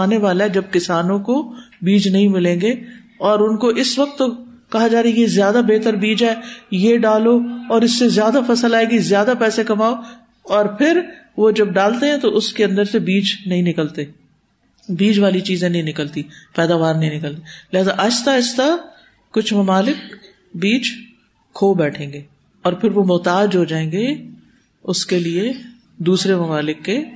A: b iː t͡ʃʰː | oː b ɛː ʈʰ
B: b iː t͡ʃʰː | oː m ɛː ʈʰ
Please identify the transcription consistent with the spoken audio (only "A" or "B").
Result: A